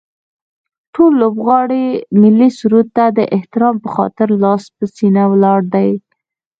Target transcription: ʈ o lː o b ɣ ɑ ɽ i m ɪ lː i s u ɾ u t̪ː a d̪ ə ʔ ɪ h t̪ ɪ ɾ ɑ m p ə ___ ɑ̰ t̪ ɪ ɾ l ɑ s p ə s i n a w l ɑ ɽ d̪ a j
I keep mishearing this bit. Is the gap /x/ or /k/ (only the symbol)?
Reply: x